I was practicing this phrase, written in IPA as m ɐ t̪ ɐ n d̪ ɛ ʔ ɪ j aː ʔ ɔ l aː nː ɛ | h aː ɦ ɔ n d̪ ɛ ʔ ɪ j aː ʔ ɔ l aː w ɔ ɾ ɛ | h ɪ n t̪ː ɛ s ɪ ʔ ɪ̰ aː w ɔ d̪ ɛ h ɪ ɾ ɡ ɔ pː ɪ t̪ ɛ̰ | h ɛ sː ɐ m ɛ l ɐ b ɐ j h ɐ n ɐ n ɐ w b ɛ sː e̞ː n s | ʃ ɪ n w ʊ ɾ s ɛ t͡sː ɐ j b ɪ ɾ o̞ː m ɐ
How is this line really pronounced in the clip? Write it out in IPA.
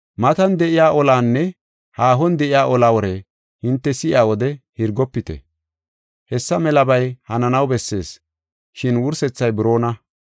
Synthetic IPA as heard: m ɐ t̪ ɐ n d̪ ɛ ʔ ɪ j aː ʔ ɔ l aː nː ɛ | h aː ɦ ɔ n d̪ ɛ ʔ ɪ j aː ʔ ɔ l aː w ɔ ɾ ɛ | h ɪ n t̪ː ɛ s ɪ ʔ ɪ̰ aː w ɔ d̪ ɛ h ɪ ɾ ɡ ɔ pː ɪ t̪ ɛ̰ | h ɛ sː ɐ m ɛ l ɐ b ɐ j h ɐ n ɐ n ɐ w b ɛ sː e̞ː s | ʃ ɪ n w ʊ ɾ s ɛ t͡sː ɐ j b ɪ ɾ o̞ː n ɐ

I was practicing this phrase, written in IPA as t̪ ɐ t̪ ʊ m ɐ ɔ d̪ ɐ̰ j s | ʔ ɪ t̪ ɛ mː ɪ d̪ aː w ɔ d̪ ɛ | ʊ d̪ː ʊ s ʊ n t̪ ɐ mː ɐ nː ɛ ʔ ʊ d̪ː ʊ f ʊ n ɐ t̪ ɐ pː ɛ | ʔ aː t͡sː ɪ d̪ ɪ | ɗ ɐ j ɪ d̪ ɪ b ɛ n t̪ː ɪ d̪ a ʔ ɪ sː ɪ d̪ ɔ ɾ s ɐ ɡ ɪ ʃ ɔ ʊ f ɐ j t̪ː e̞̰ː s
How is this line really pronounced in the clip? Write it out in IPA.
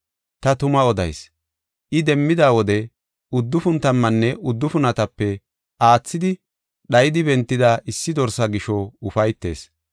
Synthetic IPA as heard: t̪ ɐ t̪ ʊ m ɐ ɔ d̪ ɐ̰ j s | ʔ ɪ d̪ ɛ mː ɪ d̪ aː w ɔ d̪ ɛ | ʊ d̪ː ʊ f ʊ n t̪ ɐ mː ɐ nː ɛ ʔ ʊ d̪ː ʊ f ʊ n ɐ t̪ ɐ pː ɛ | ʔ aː t͡sː ɪ d̪ ɪ | ɗ ɐ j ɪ d̪ ɪ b ɛ n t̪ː ɪ d̪ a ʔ ɪ sː ɪ d̪ ɔ ɾ s ɐ ɡ ɪ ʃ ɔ ʊ f ɐ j t̪ː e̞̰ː s

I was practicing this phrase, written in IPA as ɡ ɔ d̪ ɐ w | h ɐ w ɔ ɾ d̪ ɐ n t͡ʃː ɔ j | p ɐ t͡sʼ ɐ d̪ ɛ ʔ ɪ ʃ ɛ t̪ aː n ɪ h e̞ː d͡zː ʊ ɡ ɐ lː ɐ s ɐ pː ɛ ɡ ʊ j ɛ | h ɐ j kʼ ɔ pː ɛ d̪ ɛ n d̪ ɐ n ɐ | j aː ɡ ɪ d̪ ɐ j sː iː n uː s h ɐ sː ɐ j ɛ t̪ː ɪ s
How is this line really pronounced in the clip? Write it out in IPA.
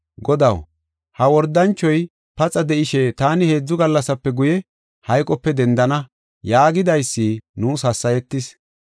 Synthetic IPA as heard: ɡ ɔ d̪ ɐ w | h ɐ w ɔ ɾ d̪ ɐ n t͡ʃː ɔ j | p ɐ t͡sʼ ɐ d̪ ɛ ʔ ɪ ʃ ɛ t̪ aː n ɪ h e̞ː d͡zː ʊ ɡ ɐ lː ɐ s ɐ pː ɛ ɡ ʊ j ɛ | h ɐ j kʼ ɔ pː ɛ d̪ ɛ n d̪ ɐ n ɐ | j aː ɡ ɪ d̪ ɐ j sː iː n uː s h ɐ sː ɐ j ɛ t̪ː ɪ s

